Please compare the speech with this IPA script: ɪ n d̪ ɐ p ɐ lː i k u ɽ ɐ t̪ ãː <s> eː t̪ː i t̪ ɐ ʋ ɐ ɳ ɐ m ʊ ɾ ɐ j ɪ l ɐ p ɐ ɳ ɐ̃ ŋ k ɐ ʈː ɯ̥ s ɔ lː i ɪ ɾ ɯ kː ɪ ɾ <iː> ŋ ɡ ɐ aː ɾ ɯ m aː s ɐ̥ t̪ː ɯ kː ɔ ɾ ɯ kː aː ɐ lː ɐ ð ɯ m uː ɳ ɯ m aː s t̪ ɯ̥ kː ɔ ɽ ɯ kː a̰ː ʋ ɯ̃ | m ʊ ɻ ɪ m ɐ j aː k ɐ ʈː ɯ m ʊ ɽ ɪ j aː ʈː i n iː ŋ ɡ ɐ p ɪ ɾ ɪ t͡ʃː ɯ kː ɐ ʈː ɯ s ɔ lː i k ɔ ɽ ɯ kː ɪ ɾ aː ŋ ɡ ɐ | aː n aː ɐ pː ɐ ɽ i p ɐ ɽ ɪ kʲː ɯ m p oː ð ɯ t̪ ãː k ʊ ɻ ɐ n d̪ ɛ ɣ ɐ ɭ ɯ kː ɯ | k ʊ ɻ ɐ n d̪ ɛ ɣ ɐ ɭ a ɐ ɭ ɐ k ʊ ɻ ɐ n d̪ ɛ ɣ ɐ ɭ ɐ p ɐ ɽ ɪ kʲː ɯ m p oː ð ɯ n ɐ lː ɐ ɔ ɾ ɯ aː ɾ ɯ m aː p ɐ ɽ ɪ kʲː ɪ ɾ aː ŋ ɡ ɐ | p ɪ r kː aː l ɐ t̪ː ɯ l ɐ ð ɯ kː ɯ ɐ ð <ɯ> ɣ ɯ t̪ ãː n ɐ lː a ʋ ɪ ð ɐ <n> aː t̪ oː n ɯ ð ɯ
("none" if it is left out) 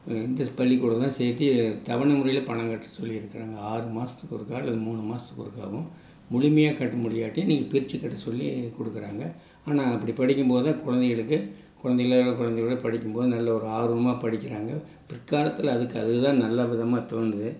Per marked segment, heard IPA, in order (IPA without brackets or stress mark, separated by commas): s, aː, ɯ, m